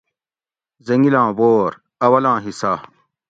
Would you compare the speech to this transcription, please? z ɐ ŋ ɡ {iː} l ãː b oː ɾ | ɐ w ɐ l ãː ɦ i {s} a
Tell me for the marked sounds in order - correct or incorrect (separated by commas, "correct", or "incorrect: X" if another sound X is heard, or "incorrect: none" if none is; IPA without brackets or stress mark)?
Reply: incorrect: i, correct